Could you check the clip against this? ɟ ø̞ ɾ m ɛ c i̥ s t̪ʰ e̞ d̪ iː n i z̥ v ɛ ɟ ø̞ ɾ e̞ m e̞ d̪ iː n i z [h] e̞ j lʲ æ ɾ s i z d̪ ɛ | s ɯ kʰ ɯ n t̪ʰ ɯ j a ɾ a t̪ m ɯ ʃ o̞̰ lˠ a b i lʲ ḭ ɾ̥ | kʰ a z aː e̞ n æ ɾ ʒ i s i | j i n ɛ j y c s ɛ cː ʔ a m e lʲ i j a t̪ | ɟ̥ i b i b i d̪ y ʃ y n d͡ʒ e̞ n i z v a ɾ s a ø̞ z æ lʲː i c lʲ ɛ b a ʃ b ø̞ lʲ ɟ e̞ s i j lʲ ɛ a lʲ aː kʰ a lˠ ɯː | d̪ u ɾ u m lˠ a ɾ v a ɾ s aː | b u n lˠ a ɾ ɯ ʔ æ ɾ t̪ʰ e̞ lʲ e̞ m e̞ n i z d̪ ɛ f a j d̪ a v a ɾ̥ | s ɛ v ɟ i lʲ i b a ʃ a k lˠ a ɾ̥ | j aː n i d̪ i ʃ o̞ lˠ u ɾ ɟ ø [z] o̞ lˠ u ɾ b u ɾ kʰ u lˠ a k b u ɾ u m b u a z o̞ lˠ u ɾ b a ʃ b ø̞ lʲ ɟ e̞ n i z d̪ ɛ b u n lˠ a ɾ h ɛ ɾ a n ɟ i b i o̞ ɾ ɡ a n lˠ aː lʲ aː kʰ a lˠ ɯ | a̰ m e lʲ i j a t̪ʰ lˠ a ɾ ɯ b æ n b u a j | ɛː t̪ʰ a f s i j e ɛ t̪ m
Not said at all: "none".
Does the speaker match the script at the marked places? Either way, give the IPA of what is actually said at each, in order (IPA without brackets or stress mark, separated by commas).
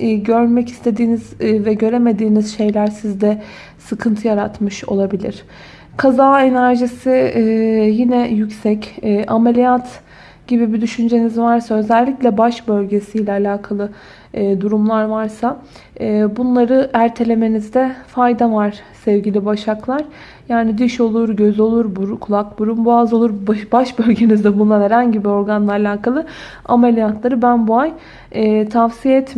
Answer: ʃ, z